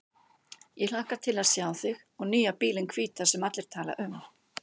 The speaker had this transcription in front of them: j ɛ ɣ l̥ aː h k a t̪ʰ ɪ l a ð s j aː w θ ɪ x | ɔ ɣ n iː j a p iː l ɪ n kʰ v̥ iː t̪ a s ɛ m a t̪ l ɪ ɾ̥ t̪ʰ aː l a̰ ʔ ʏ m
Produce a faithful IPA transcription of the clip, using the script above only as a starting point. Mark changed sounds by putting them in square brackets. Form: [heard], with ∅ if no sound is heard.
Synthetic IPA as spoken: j ɛ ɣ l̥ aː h k a t̪ʰ ɪ l a ð s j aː w θ ɪ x | ɔ ɣ n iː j a p iː l ɪ n kʰ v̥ iː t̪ a s ɛ m a t̪ l ɪ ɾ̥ t̪ʰ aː l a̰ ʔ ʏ m